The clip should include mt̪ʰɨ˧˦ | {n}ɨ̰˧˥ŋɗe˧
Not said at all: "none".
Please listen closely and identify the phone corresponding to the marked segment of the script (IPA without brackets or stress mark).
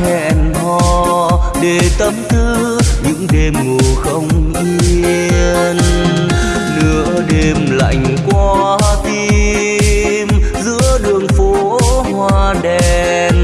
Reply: ɲ